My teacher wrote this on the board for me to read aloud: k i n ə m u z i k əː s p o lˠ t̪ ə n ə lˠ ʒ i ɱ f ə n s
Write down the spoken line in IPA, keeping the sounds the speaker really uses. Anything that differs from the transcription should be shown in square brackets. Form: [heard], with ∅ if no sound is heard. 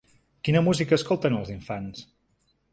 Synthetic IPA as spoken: k i n ə m u z i k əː s [k] o lˠ t̪ ə n ə lˠ [z] i ɱ f [a] n s